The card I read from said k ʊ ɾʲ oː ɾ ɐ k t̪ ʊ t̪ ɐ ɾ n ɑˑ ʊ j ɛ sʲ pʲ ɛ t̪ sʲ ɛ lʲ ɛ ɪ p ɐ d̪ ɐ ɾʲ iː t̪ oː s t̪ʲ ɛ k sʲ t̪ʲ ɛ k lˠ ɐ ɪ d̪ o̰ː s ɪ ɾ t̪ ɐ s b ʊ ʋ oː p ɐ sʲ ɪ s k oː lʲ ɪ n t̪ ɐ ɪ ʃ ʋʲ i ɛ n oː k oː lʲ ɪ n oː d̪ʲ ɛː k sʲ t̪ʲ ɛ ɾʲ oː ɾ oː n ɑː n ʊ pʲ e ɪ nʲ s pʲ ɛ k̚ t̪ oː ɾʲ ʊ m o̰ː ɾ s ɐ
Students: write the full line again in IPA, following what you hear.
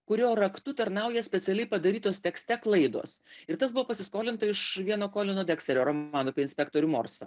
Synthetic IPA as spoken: k ʊ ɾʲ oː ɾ ɐ k t̪ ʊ t̪ ɐ ɾ n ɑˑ ʊ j ɛ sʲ pʲ ɛ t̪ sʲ ɛ lʲ ɛ ɪ p ɐ d̪ ɐ ɾʲ iː t̪ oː s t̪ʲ ɛ k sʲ t̪ʲ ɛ k lˠ ɐ ɪ d̪ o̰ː s ɪ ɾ t̪ ɐ s b ʊ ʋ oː p ɐ sʲ ɪ s k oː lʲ ɪ n t̪ ɐ ɪ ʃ ʋʲ i ɛ n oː k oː lʲ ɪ n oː d̪ʲ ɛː k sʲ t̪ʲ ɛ ɾʲ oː ɾ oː m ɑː n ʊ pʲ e ɪ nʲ s pʲ ɛ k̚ t̪ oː ɾʲ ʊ m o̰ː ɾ s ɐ